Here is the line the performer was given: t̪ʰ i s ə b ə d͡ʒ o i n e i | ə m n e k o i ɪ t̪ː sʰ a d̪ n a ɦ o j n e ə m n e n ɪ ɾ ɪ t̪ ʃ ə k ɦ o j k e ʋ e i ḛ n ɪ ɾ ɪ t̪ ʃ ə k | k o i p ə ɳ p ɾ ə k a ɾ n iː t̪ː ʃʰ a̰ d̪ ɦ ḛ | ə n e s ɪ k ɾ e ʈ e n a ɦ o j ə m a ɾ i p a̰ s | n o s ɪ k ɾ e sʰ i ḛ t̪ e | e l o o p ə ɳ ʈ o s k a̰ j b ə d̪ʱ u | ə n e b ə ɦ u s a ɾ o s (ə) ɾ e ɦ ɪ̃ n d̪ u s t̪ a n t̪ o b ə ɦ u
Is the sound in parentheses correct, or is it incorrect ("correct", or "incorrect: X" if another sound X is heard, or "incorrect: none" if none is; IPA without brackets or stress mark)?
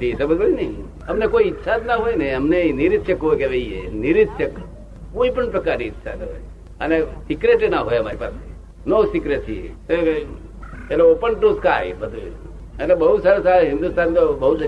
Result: incorrect: a